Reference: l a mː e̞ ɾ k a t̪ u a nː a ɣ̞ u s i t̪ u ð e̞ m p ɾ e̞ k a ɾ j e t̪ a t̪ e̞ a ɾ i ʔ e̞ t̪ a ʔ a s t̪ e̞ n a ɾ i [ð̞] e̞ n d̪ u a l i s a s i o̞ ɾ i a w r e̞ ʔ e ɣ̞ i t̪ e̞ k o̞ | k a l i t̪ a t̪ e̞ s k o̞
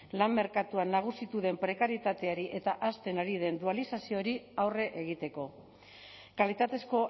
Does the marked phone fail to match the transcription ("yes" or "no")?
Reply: no